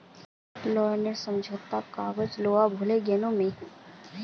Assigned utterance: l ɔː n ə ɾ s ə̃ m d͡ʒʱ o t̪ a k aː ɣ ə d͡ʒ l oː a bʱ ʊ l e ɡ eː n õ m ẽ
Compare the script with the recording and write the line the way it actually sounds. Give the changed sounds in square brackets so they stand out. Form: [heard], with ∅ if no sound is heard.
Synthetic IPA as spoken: l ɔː n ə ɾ s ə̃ m d͡ʒʱ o t̪ a k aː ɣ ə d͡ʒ l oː a bʱ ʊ l e ɡ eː n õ m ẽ